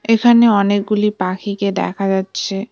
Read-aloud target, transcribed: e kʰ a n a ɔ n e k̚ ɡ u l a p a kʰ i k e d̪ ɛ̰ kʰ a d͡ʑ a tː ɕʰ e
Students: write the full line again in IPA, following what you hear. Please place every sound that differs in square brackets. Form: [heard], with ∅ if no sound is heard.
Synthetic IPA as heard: e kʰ a n [e] ɔ n e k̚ ɡ u l [i] p a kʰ i k e d̪ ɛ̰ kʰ a d͡ʑ a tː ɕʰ e